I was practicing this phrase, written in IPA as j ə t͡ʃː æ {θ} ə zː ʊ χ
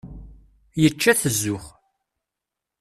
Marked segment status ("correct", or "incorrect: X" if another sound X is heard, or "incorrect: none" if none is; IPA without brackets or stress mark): correct